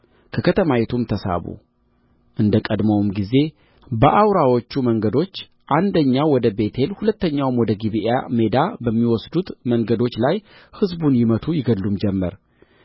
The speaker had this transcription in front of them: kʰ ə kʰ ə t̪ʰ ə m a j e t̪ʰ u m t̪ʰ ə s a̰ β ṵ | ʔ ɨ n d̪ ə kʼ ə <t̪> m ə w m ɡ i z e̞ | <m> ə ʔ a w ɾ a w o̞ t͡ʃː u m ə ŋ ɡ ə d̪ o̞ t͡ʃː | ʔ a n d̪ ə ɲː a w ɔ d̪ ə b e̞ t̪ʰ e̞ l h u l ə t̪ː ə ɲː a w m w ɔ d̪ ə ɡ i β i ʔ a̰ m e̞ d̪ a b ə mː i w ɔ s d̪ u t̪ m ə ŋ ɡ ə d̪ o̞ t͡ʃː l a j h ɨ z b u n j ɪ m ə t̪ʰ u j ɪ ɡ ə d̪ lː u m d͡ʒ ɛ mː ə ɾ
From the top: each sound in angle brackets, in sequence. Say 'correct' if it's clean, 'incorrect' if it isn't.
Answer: incorrect: d̪, incorrect: b

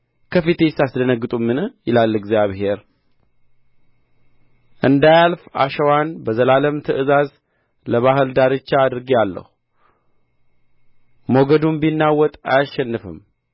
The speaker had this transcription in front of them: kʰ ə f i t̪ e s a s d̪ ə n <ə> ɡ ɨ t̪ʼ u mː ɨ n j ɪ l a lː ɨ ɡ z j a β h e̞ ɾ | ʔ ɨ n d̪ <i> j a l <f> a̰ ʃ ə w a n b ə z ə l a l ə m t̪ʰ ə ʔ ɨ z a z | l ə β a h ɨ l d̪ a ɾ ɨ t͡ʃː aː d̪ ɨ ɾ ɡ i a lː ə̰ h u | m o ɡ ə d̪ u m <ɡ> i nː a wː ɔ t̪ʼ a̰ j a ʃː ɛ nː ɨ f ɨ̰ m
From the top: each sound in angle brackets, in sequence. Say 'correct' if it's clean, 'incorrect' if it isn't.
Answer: correct, incorrect: a, correct, incorrect: b

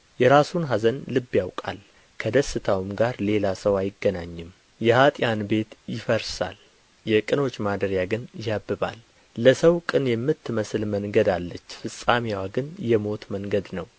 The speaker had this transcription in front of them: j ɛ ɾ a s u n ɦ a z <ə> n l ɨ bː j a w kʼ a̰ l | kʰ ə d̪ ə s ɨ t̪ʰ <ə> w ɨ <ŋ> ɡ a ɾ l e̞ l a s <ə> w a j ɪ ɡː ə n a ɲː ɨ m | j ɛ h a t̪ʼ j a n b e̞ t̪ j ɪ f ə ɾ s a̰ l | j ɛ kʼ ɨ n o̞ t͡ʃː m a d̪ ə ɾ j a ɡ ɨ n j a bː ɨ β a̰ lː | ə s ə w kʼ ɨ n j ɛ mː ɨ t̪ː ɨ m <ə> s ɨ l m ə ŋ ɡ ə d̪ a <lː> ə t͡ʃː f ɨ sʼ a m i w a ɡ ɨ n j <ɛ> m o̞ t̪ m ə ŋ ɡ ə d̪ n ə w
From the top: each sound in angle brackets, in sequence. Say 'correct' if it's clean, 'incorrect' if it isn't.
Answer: correct, incorrect: a, incorrect: m, correct, correct, correct, correct

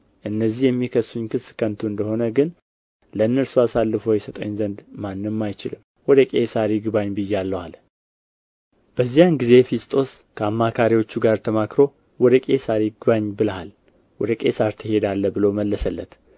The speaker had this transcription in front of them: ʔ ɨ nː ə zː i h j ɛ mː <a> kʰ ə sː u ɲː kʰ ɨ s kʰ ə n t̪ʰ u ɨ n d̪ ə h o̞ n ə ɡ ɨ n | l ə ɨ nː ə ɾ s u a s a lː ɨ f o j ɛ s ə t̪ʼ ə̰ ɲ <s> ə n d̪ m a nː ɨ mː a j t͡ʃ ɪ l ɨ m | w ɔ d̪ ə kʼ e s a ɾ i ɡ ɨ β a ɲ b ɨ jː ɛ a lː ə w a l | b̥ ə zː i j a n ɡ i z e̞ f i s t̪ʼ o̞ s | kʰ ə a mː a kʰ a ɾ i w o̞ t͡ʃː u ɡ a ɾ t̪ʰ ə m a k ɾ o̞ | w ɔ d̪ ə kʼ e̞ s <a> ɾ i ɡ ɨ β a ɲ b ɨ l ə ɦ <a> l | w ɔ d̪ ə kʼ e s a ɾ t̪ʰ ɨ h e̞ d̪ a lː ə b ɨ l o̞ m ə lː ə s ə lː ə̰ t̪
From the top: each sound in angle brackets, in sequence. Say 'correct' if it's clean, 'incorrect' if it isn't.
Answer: incorrect: i, incorrect: z, correct, correct

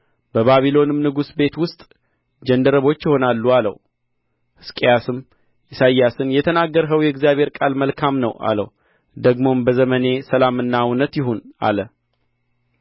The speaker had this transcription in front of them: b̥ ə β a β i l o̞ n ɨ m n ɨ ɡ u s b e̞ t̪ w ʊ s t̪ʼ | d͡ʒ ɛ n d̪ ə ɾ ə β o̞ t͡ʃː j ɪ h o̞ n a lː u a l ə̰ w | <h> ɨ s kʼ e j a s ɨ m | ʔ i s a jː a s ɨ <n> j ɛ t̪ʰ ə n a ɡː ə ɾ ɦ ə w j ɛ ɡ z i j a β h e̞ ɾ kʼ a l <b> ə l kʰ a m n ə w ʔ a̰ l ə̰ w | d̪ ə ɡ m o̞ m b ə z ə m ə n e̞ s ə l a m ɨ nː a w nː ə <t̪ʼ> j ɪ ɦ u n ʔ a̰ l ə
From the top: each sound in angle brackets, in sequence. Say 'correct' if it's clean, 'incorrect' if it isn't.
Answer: correct, correct, incorrect: m, incorrect: t̪

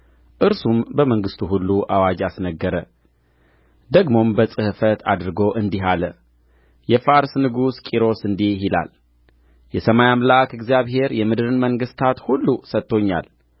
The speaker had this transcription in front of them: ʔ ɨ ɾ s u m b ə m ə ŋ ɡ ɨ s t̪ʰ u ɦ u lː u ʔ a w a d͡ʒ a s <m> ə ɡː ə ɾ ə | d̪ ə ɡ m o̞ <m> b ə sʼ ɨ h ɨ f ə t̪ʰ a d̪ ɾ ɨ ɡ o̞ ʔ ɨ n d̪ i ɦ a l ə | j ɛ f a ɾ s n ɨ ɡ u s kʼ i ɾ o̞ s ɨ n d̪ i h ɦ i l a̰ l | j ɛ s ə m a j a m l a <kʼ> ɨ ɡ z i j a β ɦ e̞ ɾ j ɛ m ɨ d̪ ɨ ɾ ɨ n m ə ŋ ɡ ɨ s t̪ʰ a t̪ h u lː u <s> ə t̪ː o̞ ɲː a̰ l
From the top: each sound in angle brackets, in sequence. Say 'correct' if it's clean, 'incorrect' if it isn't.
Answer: incorrect: n, correct, incorrect: k, correct

